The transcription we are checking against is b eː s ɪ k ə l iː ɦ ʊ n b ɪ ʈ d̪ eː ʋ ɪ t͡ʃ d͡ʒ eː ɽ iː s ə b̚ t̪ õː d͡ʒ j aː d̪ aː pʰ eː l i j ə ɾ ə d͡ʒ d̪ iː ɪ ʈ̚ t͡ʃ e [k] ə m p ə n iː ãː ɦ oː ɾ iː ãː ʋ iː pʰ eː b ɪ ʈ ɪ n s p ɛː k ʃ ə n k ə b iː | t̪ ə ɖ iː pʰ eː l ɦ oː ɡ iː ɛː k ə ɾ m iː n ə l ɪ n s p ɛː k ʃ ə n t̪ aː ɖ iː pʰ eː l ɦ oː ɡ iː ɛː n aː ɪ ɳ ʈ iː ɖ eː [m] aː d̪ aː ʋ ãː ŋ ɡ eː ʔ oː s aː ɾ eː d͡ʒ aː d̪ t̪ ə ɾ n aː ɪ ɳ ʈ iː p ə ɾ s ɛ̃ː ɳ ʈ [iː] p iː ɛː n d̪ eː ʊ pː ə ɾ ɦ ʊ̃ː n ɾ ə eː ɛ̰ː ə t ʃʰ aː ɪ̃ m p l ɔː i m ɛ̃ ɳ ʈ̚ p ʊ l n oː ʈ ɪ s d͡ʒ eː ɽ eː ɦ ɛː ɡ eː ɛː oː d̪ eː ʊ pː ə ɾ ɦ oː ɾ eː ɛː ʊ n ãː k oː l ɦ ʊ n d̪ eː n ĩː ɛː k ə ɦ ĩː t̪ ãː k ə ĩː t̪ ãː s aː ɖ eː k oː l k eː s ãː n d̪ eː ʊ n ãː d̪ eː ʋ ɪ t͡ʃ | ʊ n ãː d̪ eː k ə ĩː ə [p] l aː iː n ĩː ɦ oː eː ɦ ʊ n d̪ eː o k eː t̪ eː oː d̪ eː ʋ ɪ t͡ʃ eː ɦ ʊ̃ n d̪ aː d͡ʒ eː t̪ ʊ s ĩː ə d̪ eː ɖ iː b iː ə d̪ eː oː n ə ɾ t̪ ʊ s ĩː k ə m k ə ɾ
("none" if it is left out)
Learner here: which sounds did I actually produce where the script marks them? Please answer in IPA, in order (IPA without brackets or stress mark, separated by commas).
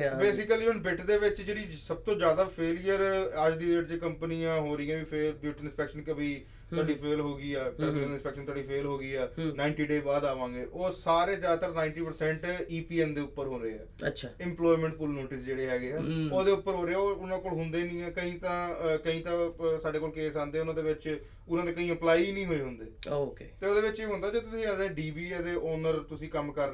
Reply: k, b, iː, p